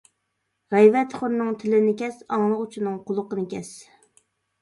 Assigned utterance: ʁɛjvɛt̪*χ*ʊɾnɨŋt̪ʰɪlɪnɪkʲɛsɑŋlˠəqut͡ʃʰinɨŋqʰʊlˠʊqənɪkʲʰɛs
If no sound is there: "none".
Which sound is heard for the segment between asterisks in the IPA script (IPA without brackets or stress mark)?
χ